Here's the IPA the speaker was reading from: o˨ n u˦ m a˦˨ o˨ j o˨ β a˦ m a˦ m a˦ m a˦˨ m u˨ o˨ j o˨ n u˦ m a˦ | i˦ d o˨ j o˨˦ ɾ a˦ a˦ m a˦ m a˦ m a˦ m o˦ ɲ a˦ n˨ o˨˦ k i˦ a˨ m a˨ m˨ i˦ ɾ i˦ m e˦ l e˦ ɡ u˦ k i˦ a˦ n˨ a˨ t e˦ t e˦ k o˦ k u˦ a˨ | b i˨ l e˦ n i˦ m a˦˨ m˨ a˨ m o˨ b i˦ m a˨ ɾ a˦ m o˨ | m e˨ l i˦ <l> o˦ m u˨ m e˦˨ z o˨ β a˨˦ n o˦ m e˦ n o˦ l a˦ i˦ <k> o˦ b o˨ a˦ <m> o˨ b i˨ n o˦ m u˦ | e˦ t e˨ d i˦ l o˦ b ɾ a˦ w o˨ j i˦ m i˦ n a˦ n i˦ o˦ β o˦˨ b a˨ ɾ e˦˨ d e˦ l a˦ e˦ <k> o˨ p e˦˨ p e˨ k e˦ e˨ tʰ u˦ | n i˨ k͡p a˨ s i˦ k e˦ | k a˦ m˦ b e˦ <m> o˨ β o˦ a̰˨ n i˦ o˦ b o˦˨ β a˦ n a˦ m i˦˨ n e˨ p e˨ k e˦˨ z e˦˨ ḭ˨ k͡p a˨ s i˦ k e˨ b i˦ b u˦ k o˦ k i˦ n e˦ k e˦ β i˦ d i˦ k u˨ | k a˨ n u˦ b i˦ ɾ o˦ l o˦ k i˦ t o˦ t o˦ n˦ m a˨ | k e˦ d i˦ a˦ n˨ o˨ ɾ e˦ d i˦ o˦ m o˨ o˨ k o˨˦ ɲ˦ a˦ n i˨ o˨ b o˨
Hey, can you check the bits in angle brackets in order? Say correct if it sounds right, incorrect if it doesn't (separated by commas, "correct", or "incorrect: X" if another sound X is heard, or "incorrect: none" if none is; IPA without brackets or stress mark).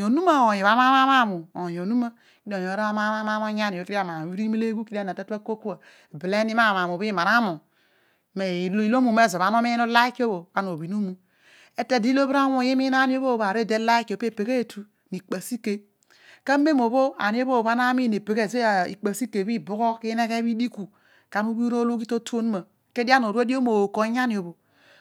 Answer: correct, correct, incorrect: n, correct, correct